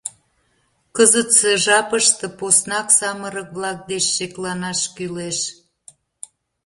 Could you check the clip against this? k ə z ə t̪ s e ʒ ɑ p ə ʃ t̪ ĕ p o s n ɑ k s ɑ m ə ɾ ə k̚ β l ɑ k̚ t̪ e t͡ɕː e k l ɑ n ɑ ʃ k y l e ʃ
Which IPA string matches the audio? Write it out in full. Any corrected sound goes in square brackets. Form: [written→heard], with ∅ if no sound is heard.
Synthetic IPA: k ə z ə t̪ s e ʒ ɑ p ə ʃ t̪ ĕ p o s n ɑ k s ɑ m ə ɾ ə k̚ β l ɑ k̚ [t̪→d̪] e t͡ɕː e k l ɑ n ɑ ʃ k y l e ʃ